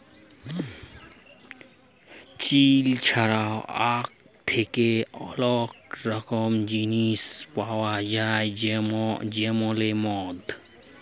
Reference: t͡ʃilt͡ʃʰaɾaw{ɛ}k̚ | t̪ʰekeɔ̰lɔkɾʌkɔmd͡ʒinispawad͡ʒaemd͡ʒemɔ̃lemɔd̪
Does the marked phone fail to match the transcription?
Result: yes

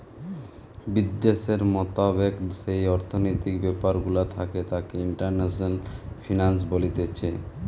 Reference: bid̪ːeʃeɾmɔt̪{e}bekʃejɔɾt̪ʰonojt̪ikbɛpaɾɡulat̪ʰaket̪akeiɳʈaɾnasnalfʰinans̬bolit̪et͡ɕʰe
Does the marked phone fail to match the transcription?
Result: yes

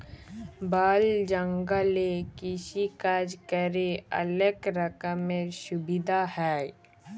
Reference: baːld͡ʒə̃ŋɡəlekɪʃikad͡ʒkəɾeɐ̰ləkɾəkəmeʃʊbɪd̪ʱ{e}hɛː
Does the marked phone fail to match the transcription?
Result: yes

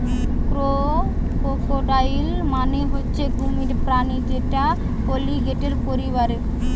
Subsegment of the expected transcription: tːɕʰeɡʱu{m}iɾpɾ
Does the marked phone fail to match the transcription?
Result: no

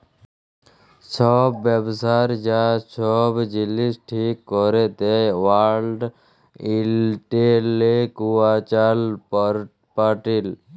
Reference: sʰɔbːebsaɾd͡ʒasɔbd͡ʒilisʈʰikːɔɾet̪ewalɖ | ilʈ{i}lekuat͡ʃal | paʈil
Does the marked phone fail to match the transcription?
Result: yes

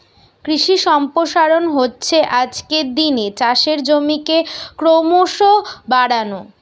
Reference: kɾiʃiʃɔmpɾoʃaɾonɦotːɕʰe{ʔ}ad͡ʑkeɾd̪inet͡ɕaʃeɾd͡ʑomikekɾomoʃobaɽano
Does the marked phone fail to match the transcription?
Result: no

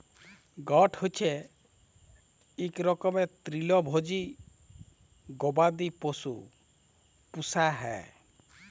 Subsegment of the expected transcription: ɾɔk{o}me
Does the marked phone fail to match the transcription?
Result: yes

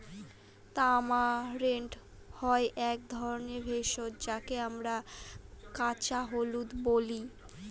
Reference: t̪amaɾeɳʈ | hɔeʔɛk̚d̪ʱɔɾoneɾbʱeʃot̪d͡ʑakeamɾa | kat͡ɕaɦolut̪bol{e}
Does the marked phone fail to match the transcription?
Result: yes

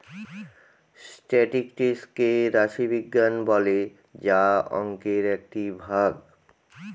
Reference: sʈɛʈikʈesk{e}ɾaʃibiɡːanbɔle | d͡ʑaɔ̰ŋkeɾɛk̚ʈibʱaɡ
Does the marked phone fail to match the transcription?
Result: no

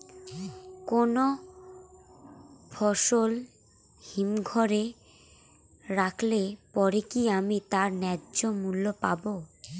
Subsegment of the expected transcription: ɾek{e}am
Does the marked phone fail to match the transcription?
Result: yes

